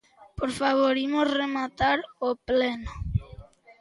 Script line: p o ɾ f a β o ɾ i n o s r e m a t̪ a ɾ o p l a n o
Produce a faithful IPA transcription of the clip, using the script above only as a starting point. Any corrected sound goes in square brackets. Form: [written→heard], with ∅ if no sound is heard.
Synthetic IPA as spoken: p o ɾ f a β o ɾ i [n→m] o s r e m a t̪ a ɾ o p l [a→e] n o